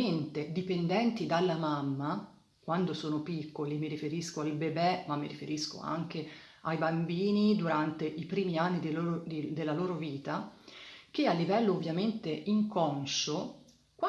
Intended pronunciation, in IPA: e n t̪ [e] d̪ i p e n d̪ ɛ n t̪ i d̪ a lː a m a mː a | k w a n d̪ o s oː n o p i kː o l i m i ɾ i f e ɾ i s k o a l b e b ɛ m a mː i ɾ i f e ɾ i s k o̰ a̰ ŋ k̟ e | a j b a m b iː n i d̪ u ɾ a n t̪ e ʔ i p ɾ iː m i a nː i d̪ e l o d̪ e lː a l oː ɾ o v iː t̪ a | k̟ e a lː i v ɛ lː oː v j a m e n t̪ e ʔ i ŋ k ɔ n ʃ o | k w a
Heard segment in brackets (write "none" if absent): e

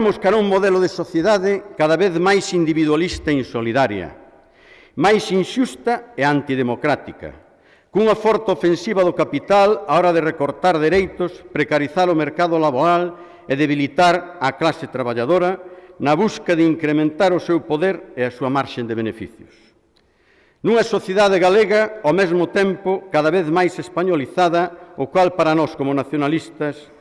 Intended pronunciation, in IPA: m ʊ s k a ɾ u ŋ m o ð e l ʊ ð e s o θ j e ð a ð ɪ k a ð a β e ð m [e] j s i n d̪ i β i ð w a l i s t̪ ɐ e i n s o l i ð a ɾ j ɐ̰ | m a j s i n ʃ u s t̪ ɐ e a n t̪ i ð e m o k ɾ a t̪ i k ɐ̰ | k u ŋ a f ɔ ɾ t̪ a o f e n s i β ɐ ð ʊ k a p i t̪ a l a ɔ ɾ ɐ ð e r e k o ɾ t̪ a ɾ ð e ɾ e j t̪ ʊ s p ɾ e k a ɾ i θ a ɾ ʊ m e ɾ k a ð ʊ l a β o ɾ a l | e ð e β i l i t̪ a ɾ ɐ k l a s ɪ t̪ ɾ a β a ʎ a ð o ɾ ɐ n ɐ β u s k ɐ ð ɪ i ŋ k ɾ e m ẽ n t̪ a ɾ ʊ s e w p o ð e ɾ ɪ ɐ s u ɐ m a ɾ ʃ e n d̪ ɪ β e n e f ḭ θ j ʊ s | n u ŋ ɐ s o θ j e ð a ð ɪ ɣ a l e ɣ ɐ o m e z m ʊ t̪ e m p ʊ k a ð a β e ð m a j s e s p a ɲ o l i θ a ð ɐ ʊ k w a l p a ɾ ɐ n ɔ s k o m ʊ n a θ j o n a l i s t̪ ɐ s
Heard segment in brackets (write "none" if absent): a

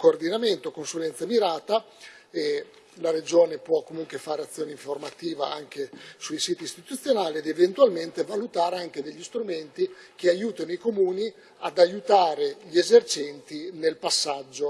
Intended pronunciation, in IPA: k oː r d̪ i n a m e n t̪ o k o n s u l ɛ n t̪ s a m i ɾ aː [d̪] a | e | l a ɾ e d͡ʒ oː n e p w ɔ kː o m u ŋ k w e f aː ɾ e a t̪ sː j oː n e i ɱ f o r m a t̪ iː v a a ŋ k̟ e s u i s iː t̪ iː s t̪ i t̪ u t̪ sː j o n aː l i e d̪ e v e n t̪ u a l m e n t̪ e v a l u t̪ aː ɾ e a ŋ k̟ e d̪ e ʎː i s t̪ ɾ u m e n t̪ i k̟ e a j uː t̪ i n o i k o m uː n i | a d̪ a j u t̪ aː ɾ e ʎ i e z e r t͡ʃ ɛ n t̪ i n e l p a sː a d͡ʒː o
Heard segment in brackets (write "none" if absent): t̪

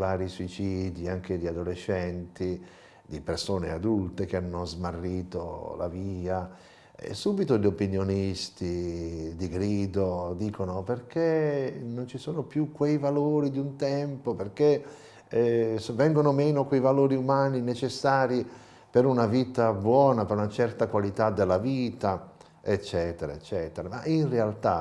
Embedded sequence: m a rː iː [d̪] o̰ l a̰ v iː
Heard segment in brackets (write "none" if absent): t̪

